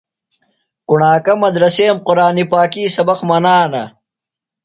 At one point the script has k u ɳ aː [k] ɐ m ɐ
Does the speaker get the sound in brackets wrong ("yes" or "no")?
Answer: no